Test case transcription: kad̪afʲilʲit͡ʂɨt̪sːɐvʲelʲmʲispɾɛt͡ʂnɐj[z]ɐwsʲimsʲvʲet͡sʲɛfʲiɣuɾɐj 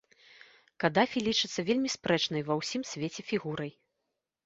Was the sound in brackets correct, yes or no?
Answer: no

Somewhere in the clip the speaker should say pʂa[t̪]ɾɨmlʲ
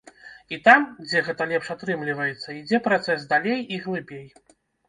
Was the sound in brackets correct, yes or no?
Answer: yes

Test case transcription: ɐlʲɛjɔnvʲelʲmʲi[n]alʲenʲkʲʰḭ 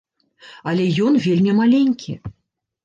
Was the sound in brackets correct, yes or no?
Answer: no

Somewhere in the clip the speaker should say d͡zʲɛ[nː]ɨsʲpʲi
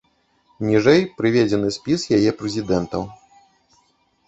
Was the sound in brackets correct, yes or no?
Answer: no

